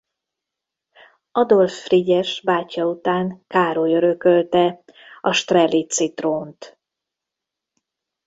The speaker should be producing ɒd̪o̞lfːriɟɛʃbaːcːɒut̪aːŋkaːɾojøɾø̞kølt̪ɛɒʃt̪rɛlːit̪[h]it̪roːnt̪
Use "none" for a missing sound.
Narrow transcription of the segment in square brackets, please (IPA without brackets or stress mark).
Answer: s